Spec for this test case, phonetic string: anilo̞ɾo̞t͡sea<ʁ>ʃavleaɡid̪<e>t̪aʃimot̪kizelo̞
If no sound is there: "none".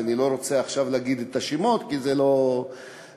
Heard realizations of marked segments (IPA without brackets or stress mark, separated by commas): χ, e